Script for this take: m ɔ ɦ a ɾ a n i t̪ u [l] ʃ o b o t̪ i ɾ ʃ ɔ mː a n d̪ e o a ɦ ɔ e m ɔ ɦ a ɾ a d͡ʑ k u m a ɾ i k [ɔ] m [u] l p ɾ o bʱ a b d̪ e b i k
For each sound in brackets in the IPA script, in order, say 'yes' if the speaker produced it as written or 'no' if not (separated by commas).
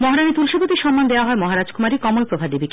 yes, yes, no